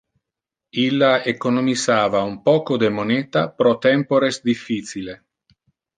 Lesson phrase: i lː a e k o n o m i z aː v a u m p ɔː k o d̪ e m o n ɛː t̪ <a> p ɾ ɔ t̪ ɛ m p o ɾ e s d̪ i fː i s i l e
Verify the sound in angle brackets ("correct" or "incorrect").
correct